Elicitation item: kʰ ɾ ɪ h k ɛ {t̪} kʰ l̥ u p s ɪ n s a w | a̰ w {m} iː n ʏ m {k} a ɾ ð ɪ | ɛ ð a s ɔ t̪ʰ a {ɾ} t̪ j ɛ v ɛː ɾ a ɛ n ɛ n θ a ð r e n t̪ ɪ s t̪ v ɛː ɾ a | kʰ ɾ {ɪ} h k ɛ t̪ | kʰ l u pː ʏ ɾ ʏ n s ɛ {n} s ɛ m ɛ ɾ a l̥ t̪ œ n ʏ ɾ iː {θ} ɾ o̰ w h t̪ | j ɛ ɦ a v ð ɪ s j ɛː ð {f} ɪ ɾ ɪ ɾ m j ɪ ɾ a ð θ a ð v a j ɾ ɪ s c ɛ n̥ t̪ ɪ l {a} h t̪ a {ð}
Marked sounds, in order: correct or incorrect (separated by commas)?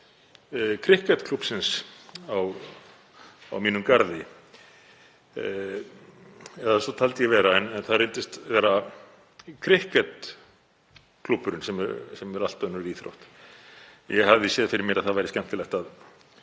correct, correct, correct, incorrect, correct, incorrect, correct, correct, incorrect, correct